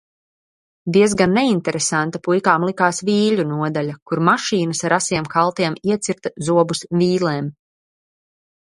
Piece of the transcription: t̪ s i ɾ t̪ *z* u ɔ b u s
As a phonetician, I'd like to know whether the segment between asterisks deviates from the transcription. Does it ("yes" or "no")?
no